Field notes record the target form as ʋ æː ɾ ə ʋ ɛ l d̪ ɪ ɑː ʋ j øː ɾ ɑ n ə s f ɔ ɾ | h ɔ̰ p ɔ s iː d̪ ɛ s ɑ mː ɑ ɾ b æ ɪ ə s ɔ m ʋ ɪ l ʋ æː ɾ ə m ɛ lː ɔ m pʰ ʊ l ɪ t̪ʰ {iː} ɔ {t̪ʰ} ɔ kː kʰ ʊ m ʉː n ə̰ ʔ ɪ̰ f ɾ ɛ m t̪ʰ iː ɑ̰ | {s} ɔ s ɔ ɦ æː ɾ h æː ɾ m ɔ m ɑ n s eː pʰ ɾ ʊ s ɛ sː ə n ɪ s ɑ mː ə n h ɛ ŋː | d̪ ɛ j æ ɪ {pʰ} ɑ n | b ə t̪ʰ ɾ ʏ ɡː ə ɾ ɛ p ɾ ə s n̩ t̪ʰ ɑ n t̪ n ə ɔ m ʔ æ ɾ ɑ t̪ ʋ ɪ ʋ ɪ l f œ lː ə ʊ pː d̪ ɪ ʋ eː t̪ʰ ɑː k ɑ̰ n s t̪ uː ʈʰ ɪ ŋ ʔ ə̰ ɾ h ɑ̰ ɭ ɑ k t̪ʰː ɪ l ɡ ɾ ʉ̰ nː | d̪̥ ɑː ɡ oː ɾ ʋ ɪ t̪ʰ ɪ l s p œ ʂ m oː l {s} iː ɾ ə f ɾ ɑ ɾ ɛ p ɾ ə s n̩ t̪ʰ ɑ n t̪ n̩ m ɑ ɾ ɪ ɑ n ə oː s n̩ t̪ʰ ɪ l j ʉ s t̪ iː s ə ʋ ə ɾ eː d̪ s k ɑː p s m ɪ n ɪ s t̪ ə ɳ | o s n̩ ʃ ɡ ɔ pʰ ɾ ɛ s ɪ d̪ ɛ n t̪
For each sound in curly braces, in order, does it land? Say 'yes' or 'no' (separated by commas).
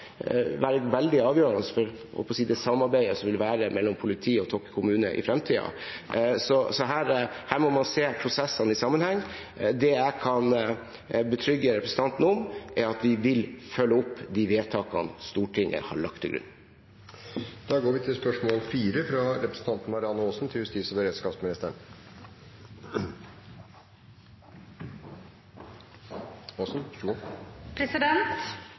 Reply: yes, yes, yes, no, no